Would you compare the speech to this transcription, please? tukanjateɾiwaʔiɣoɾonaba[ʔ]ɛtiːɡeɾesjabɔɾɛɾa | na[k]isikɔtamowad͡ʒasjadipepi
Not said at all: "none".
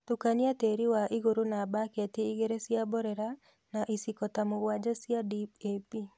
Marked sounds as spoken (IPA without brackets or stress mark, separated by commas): k, ʔ